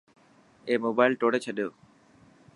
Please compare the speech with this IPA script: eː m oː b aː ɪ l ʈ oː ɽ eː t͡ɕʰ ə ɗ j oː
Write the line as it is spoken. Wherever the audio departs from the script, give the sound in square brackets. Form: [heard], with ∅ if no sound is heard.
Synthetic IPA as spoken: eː m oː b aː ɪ l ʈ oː ɽ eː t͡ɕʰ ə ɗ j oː